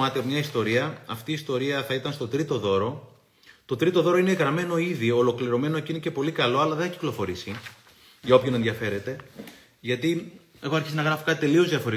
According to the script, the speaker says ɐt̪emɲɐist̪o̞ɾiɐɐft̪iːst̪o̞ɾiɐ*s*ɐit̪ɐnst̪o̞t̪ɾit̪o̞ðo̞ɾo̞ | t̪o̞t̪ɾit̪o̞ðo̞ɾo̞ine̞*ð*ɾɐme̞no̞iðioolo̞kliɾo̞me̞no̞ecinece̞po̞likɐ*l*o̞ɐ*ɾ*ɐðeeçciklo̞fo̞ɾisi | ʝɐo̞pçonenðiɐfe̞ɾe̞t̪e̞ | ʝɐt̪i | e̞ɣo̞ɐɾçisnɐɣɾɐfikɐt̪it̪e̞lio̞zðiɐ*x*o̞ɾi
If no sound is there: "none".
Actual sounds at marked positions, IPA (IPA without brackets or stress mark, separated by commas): θ, ɣ, l, l, f